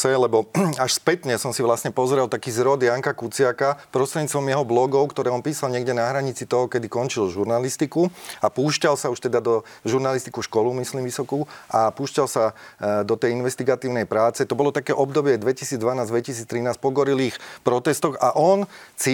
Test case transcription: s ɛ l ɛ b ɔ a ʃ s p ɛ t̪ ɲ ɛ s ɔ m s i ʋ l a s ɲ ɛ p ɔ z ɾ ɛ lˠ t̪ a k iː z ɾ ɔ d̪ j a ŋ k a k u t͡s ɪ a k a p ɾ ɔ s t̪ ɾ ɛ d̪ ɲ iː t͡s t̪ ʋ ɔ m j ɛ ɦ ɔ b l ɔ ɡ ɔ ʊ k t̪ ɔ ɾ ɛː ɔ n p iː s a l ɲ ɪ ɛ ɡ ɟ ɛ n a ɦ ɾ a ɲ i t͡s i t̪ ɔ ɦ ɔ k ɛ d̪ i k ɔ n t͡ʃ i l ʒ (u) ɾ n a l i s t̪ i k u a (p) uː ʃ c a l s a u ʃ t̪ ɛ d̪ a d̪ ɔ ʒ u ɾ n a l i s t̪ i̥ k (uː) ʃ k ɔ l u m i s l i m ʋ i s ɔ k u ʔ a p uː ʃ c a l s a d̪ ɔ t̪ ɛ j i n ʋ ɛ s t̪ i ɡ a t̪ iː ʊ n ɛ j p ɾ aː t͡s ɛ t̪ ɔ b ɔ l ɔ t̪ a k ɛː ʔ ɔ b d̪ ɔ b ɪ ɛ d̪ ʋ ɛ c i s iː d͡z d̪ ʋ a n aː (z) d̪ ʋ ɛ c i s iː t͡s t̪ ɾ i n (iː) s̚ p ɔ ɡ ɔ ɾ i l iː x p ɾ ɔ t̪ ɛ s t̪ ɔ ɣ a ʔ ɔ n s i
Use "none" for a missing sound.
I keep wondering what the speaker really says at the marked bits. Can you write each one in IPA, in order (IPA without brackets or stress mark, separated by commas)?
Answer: u, p, u, z, aː